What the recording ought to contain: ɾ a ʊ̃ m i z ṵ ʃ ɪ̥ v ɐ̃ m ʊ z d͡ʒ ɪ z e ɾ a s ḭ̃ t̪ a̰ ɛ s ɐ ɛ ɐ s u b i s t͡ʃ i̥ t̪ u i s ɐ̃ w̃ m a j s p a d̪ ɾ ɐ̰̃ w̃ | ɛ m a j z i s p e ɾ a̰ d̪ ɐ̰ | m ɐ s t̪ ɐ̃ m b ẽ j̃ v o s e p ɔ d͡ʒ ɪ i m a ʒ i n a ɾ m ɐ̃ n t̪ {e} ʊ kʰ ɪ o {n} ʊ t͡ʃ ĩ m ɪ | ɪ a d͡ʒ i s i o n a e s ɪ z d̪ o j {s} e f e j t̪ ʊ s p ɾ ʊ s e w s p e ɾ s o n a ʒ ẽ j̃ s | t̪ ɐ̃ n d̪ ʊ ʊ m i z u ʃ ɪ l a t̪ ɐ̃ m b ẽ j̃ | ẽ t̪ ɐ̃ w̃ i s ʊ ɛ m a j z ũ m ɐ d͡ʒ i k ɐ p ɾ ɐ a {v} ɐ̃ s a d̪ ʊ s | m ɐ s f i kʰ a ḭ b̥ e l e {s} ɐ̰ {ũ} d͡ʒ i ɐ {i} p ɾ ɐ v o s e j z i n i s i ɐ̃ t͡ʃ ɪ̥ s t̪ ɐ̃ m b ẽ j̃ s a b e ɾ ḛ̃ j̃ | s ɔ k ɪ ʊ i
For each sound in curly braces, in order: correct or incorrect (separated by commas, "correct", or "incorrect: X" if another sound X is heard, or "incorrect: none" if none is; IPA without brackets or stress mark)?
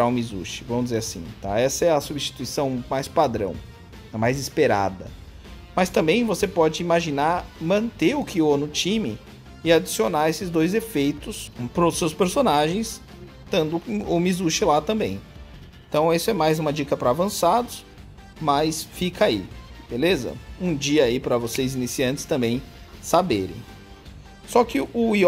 correct, correct, incorrect: z, correct, incorrect: z, correct, correct